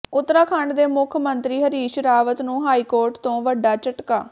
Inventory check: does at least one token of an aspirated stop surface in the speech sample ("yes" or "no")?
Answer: yes